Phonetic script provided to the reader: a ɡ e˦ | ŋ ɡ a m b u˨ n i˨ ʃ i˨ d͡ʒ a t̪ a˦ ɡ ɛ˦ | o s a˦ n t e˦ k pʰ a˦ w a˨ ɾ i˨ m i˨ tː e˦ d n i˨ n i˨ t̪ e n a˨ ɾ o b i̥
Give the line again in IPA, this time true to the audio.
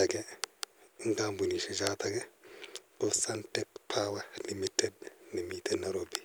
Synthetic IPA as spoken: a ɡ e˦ | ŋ ɡ a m b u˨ n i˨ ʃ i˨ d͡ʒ a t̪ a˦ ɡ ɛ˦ | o s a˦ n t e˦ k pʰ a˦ w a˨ l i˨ m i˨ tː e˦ d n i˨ m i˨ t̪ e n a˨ ɾ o b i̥

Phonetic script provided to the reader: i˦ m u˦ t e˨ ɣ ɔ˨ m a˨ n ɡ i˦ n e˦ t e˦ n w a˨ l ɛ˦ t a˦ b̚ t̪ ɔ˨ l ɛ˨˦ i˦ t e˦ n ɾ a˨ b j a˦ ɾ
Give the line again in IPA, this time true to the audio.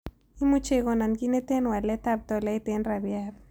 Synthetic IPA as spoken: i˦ m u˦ t͡ʃ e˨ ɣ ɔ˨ n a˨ n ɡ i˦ n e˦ t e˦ n w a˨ l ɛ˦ t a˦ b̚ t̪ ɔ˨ l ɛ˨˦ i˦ t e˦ n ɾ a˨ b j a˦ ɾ

